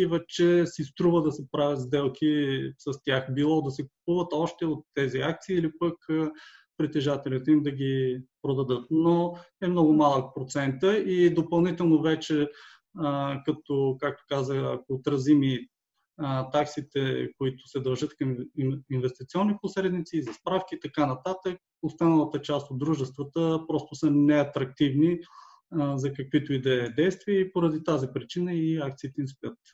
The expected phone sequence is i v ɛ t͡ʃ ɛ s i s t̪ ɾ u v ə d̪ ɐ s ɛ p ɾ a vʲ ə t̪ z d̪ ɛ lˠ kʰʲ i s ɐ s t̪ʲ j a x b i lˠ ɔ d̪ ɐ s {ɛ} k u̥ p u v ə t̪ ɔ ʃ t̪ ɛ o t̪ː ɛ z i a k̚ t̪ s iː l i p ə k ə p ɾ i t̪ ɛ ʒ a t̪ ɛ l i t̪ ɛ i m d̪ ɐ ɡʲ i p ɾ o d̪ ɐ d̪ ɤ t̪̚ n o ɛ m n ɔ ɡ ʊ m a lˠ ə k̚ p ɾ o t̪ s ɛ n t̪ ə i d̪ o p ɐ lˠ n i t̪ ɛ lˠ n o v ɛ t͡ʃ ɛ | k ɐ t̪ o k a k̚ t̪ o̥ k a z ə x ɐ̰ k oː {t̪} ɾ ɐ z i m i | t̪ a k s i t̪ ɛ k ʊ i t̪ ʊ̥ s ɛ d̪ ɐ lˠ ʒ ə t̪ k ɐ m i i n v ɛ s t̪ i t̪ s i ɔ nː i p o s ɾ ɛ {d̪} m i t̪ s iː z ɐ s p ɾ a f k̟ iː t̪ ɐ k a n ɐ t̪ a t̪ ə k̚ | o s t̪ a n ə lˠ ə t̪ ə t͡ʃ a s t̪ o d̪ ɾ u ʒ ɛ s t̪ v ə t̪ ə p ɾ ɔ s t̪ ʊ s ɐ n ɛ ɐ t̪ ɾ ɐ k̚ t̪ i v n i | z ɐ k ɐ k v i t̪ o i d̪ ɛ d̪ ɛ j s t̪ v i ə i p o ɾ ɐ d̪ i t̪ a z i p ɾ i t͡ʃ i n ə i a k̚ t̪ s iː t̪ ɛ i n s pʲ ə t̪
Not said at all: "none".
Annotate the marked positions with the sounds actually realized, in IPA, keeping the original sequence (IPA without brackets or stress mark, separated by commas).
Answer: ɛ, t̪, d̪